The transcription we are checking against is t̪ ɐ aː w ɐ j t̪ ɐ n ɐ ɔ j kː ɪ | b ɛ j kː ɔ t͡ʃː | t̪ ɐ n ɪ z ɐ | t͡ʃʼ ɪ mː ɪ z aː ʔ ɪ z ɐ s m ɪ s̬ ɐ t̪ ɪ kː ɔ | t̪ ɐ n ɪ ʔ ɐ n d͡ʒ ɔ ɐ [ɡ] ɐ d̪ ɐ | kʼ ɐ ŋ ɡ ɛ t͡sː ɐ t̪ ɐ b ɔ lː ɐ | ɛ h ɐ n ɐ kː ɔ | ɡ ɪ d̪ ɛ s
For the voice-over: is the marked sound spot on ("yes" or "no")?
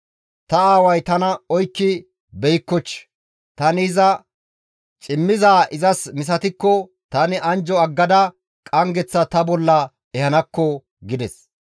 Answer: no